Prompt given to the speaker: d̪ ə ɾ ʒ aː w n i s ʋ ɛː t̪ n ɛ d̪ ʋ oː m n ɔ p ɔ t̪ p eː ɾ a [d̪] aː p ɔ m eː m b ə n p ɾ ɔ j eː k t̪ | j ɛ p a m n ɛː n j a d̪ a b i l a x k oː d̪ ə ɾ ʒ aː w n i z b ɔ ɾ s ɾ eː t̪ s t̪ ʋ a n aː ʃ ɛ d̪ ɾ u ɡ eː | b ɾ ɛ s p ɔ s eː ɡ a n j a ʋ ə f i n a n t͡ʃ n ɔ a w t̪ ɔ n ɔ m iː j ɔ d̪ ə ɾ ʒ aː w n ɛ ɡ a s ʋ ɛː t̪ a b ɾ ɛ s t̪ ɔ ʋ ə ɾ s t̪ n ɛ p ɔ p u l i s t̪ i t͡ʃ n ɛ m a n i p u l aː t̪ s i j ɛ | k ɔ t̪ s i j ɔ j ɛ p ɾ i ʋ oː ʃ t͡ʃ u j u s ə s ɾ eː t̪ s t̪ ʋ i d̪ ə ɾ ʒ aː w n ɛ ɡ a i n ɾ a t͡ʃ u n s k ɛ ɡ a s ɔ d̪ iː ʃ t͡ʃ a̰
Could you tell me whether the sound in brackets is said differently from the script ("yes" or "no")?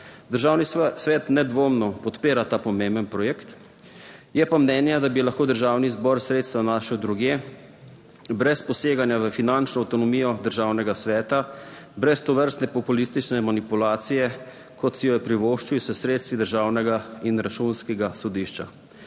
yes